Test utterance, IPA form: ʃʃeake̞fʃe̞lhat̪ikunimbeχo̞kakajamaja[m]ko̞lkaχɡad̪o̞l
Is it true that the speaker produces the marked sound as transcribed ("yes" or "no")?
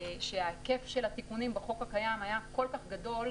no